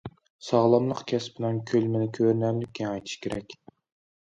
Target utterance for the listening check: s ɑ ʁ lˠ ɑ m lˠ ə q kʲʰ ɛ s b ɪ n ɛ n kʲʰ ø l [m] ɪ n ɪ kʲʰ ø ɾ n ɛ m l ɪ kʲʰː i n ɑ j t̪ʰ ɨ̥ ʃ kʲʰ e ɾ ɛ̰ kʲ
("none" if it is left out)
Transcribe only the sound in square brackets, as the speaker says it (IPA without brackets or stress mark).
m